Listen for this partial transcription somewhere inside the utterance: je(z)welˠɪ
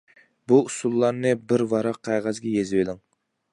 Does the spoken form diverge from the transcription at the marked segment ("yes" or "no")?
no